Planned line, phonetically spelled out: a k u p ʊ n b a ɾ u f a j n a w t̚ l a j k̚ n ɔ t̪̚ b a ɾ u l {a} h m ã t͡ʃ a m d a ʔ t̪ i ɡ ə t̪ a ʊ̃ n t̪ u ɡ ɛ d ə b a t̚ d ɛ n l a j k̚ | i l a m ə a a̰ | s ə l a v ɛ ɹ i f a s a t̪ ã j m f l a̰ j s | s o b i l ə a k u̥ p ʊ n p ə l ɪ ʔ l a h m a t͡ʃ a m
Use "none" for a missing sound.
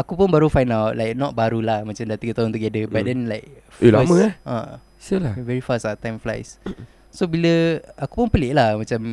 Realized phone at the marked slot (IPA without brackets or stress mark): a